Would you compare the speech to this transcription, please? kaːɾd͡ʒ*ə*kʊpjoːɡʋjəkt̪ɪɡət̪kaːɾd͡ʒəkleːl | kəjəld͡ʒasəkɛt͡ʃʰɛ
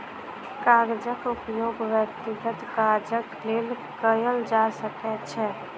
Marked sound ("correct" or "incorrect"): correct